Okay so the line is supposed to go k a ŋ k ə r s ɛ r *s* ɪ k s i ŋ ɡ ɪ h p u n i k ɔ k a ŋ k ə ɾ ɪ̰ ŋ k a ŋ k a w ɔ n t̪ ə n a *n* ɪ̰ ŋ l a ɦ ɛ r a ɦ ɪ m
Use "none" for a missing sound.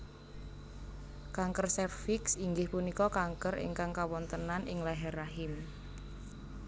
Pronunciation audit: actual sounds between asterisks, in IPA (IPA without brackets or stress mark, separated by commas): f, n